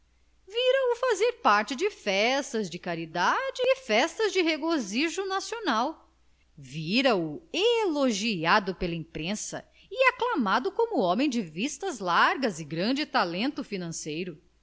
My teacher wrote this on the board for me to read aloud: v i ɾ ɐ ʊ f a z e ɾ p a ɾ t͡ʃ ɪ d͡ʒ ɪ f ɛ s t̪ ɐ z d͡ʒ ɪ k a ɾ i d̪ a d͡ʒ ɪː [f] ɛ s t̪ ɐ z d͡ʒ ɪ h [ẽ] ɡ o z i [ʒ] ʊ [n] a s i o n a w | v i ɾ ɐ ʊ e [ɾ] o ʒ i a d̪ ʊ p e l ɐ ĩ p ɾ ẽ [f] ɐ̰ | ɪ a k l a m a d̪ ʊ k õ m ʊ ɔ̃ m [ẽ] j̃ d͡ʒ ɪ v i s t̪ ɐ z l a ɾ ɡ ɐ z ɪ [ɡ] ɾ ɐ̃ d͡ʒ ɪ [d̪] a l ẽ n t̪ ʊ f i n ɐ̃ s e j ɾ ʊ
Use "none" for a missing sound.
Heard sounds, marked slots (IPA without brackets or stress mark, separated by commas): f, e, ʒ, n, l, s, ẽ, ɡ, t̪